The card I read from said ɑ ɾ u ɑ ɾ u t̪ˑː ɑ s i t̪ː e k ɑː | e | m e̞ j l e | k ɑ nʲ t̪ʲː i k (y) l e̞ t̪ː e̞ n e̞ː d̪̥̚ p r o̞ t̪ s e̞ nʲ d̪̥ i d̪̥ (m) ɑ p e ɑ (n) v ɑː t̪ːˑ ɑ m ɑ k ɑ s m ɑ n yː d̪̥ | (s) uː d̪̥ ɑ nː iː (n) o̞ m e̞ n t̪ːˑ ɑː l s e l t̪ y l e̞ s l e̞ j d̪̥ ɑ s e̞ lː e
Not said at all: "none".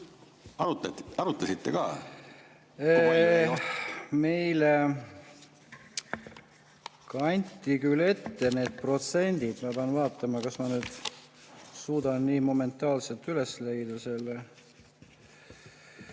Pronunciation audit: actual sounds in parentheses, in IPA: y, m, n, s, m

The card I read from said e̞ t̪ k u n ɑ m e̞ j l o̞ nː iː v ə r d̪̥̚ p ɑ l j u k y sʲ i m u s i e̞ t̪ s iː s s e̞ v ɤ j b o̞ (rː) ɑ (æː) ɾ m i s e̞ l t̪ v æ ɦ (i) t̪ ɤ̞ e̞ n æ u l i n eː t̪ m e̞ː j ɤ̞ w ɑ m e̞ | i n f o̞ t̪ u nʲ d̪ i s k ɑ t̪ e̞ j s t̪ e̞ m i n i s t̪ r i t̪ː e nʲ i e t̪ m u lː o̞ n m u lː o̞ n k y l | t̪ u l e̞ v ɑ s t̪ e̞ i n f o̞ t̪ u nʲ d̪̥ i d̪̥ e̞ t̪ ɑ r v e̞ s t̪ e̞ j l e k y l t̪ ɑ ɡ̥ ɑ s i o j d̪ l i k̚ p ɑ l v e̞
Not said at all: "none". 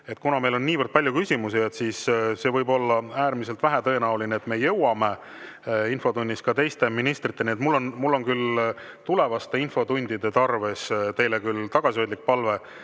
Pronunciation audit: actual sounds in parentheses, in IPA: lː, æː, æ

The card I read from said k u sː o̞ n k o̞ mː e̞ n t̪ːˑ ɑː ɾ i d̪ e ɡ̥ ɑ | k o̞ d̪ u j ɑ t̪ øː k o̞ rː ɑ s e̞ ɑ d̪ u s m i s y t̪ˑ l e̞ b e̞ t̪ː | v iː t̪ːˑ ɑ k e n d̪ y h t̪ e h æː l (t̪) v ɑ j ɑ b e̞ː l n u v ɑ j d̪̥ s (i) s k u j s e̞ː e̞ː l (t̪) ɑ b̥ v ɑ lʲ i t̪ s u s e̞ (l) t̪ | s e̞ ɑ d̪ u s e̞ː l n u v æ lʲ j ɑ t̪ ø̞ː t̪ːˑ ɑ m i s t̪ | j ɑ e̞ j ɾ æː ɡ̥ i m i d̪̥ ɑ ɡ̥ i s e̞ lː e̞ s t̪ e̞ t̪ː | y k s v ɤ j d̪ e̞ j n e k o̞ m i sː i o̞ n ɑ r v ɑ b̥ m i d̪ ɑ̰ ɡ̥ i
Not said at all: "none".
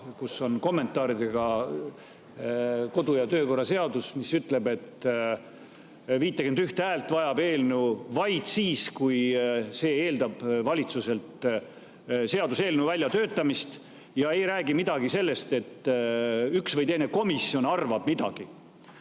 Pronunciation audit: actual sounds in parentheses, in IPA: t̪, iː, d̪, l

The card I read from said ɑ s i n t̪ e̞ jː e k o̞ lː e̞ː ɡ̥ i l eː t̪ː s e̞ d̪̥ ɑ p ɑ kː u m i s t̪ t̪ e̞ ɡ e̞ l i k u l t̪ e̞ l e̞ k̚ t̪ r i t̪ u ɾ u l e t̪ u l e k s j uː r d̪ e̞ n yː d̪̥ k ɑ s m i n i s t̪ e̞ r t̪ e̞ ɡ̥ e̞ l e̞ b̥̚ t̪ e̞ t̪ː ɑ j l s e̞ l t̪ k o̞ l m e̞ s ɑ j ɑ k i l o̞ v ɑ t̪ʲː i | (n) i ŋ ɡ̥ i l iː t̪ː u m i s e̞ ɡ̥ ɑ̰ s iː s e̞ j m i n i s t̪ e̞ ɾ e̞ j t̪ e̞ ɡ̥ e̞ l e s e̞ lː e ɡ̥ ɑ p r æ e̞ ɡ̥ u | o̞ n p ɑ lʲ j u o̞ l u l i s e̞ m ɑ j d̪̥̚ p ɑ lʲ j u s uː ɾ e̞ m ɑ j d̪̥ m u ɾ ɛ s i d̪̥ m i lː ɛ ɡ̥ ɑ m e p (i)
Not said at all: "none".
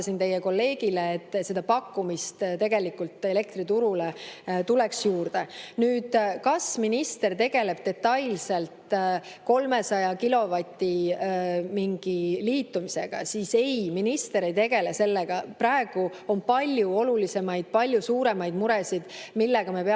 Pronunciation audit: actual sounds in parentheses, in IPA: m, e

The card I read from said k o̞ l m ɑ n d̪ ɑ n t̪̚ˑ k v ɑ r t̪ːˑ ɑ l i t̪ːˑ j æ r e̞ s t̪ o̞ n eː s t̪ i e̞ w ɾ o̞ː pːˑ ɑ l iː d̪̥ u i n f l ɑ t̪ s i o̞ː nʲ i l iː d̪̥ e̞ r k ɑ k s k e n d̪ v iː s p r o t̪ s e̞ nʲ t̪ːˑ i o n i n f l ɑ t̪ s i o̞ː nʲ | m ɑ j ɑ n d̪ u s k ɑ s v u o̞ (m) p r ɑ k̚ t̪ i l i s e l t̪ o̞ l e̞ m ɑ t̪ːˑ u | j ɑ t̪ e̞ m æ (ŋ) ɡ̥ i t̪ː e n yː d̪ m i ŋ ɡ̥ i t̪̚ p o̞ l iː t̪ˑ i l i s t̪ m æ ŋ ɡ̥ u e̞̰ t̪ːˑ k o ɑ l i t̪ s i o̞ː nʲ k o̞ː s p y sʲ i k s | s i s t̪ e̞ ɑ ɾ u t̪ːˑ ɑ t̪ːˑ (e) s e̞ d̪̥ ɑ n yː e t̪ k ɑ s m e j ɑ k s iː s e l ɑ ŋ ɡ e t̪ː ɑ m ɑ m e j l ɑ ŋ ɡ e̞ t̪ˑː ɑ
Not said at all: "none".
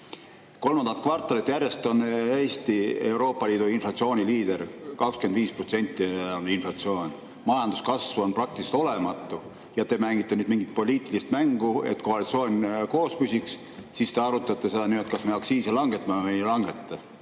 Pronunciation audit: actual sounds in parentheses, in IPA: n, ŋ, e

